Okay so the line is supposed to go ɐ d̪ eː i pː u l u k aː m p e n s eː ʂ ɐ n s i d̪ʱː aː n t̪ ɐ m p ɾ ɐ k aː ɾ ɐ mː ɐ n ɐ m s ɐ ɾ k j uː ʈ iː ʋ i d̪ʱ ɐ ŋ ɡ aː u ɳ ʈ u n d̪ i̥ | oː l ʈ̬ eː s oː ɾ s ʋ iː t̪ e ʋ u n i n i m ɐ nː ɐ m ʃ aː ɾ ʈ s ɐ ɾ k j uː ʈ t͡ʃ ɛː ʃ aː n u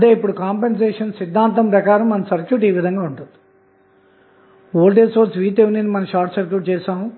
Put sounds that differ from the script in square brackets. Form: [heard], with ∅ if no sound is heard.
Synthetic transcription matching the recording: ɐ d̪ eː i pː u [ɽ] u k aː m p e n s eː ʂ ɐ n s i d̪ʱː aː n t̪ ɐ m p ɾ ɐ k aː ɾ ɐ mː ɐ n ɐ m s ɐ ɾ k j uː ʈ iː ʋ i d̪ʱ ɐ ŋ ɡ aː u ɳ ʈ u n d̪ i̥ | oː l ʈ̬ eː s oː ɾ s ʋ iː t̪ e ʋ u n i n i m ɐ [n] ɐ m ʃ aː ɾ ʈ s ɐ ɾ k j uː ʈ t͡ʃ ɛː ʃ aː [m] u